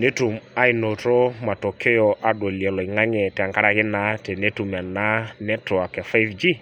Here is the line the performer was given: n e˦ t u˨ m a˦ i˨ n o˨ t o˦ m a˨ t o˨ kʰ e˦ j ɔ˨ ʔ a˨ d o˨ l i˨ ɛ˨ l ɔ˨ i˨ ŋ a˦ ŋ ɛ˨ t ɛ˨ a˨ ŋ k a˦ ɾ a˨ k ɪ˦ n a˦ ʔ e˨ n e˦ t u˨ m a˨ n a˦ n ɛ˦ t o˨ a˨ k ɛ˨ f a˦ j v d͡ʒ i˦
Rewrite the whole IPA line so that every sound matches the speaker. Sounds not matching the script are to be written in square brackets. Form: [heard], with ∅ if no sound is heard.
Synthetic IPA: n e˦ t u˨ m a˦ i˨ n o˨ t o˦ m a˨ t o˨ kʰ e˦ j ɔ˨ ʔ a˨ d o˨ l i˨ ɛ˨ l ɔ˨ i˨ ŋ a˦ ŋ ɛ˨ t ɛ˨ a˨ ŋ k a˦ ɾ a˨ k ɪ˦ n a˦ [t] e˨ n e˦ t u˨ m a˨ n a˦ n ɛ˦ t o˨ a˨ k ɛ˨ f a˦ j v d͡ʒ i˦